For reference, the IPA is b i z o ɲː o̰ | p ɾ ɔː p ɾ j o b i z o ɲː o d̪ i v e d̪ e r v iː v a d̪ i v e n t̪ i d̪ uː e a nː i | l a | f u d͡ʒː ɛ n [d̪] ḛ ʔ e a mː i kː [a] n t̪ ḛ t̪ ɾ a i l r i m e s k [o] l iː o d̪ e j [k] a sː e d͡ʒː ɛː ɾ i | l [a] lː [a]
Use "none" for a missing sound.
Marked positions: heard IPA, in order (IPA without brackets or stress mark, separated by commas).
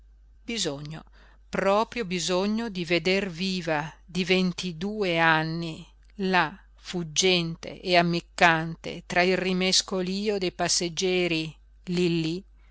t̪, a, o, p, i, i